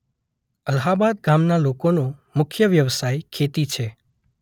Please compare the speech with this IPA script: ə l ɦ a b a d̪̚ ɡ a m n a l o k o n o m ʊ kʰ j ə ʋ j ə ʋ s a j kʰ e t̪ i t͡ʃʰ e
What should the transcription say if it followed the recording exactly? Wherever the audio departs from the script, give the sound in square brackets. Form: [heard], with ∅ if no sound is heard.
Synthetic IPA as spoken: ə l ɦ a b a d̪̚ ɡ a m n a l o k o n o m ʊ kʰ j ə ʋ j ə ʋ s a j kʰ e t̪ i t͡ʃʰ e